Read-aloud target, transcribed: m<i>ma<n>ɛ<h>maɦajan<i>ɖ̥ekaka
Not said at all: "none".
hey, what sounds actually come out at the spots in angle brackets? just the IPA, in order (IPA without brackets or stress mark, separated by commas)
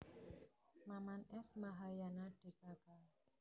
a, n, s, a